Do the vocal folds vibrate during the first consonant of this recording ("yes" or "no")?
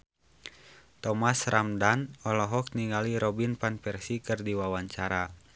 no